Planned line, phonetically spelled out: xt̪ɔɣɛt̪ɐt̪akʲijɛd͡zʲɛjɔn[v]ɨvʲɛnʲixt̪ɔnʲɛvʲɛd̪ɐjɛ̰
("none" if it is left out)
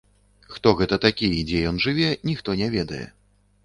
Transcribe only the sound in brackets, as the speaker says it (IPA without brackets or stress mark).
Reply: ʐ